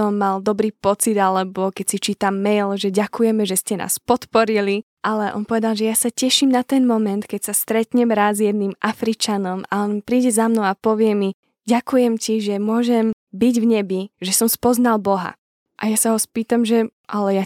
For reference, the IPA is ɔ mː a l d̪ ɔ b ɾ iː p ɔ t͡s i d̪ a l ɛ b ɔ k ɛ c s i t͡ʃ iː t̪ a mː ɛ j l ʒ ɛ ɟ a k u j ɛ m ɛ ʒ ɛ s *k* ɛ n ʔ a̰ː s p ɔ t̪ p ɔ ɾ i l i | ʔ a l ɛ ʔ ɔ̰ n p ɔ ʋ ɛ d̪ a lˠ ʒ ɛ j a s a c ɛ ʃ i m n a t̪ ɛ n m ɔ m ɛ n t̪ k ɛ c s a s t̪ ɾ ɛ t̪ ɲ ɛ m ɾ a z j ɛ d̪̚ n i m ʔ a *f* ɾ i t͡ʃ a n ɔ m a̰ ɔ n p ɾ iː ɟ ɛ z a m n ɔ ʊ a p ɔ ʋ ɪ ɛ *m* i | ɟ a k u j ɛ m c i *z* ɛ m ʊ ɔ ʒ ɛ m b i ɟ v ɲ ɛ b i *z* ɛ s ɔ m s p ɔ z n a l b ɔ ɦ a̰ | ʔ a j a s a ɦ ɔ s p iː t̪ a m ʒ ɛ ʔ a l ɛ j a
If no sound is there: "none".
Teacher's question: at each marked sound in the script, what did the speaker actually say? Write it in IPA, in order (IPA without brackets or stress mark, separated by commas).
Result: c, f, m, ʒ, ʒ